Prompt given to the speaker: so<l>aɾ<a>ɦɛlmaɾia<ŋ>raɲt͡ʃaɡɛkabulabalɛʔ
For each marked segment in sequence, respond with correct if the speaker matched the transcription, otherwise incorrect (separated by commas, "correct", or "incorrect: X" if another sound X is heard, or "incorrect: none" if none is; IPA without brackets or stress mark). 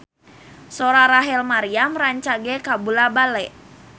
incorrect: ɾ, correct, incorrect: m